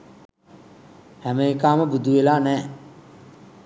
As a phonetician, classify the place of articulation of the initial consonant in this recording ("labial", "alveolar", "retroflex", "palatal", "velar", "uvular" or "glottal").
glottal